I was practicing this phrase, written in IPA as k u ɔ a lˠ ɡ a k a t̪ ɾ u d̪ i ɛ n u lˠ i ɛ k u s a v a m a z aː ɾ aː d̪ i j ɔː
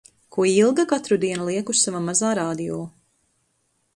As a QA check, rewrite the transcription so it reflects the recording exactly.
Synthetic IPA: k u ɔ i lˠ ɡ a k a t̪ ɾ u d̪ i ɛ n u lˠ i ɛ k u s a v a m a z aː ɾ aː d̪ i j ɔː